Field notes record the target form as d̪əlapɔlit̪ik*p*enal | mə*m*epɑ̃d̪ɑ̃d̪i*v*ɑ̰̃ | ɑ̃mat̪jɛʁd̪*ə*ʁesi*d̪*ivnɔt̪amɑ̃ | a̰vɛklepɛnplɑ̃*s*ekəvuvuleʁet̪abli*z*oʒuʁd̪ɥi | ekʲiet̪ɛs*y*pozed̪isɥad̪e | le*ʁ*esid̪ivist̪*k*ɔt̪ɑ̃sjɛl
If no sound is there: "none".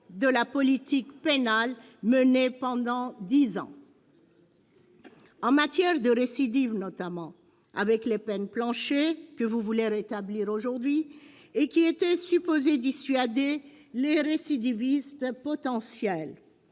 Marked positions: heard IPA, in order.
p, n, z, ə, d̪, ʃ, ʁ, y, ʁ, p

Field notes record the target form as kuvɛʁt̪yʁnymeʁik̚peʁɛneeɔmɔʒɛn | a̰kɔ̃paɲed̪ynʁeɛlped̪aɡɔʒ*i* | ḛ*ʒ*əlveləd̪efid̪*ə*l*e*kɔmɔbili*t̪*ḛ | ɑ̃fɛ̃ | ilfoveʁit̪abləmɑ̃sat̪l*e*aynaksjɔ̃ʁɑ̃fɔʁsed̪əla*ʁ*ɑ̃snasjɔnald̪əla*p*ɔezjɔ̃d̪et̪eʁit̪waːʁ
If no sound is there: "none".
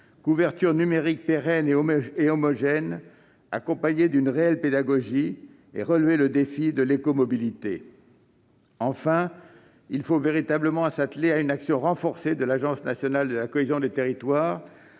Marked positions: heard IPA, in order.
i, ʁ, ə, e, t̪, e, ʒ, k

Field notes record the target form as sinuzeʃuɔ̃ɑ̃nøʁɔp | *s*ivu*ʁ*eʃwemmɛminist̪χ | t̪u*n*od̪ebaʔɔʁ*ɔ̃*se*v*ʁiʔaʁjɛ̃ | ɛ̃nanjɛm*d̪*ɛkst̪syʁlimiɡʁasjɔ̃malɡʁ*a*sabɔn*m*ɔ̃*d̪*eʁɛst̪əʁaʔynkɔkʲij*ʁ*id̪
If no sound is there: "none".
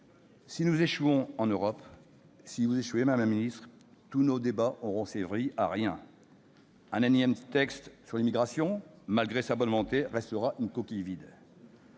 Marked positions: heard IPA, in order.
s, z, n, ɔ̃, v, t̪, e, m, t̪, v

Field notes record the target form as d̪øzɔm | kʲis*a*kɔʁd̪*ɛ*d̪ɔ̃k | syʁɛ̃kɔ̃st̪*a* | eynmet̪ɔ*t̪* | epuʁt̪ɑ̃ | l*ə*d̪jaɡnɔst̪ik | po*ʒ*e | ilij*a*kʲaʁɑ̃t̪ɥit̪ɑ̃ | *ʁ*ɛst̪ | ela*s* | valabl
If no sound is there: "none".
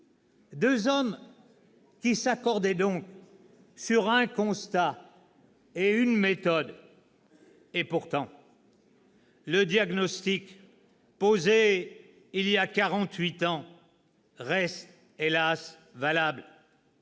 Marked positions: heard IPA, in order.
a, ɛ, a, d̪, ə, z, a, ʁ, s

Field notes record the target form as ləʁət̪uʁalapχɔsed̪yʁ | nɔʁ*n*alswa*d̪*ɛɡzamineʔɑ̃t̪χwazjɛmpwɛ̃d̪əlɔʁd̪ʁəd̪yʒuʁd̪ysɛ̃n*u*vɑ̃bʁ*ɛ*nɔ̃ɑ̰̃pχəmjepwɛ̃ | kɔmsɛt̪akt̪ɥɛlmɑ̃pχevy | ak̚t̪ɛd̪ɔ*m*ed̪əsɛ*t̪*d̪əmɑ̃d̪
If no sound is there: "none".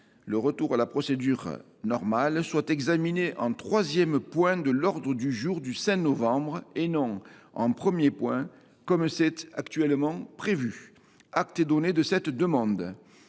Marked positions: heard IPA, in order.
m, t̪, ɔ, e, n, t̪

